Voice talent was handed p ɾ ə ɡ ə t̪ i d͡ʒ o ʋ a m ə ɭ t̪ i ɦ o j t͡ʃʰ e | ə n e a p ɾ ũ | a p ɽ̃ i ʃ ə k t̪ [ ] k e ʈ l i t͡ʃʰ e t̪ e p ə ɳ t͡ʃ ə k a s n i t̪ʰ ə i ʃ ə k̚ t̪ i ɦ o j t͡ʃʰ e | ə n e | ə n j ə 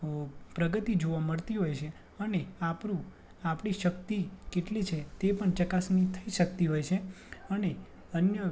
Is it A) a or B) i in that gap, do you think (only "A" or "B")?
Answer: B